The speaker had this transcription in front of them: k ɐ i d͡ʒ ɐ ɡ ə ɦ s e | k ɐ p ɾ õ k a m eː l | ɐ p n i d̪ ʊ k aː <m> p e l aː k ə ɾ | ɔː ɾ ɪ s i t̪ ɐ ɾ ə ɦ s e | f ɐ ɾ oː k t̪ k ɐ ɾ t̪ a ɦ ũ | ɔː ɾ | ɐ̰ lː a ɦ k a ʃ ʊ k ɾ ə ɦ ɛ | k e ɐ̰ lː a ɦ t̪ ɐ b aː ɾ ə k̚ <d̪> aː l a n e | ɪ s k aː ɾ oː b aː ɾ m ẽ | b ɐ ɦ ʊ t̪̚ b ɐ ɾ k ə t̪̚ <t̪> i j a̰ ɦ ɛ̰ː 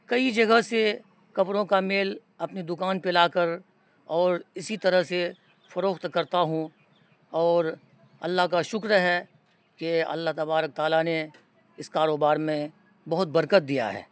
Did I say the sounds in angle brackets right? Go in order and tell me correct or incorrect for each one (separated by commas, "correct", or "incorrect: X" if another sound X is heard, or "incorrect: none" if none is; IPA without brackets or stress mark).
incorrect: n, incorrect: t̪, incorrect: d̪